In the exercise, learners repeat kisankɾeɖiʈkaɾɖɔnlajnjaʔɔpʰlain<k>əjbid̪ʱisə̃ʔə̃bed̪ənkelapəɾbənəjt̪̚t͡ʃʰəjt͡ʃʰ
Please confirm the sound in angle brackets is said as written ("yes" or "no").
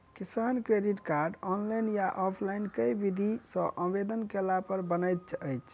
yes